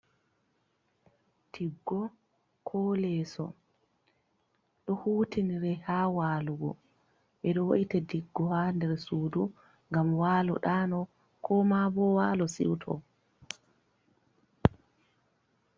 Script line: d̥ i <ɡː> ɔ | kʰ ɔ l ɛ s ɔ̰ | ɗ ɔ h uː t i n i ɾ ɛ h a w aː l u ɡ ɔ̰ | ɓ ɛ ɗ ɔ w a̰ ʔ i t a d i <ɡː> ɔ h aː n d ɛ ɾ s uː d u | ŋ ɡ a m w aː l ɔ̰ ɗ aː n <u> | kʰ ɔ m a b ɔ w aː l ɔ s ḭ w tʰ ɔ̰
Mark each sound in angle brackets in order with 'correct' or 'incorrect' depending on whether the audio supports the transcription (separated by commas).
correct, correct, incorrect